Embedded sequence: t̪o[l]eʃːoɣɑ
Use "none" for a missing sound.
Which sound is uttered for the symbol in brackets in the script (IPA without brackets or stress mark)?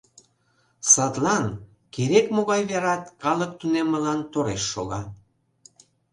ɾ